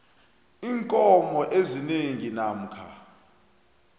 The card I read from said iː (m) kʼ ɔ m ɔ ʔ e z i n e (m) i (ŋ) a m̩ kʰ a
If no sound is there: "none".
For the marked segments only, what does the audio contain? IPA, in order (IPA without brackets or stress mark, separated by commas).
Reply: ŋ, ŋ, n